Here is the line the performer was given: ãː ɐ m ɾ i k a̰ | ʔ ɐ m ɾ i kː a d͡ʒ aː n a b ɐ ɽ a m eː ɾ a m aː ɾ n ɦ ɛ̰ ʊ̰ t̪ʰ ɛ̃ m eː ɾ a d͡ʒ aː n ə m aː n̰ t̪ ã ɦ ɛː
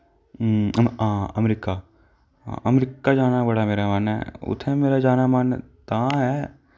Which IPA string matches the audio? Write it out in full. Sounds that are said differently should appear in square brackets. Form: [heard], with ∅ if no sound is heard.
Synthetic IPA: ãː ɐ m ɾ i k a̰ | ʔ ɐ m ɾ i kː a d͡ʒ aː n a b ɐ ɽ a m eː ɾ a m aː [∅] n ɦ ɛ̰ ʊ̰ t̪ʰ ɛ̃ m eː ɾ a d͡ʒ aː n [a] m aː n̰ t̪ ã ɦ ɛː